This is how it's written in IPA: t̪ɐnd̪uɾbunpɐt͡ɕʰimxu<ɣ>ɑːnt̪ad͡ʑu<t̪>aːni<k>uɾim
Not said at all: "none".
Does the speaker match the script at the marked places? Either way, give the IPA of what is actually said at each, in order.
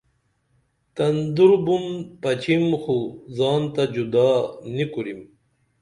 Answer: z, d̪, k

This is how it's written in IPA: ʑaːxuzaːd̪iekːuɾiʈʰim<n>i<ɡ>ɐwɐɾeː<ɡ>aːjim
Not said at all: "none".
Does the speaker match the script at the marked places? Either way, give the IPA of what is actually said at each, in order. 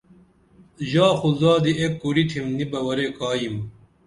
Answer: n, b, k

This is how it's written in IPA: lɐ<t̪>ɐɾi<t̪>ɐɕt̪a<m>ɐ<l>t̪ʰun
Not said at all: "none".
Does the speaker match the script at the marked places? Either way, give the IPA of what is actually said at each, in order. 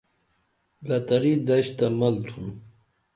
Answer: t̪, d̪, m, l

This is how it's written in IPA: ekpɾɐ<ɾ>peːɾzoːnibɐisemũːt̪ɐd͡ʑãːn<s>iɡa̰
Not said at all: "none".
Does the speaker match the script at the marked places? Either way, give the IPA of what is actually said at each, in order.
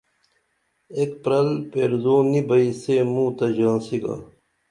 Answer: l, s

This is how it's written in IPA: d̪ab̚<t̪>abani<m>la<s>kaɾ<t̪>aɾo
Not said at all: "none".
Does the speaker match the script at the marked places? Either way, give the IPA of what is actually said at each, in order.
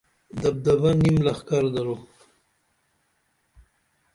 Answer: d̪, m, x, d̪

